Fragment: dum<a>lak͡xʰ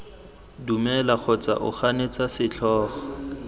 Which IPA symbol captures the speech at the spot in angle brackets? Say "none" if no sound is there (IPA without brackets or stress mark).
ɛ